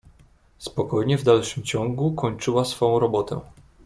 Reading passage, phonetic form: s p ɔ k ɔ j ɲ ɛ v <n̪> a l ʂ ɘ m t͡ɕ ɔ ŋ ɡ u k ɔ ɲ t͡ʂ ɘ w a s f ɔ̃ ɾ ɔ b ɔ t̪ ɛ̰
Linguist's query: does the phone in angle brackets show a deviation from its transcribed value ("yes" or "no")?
yes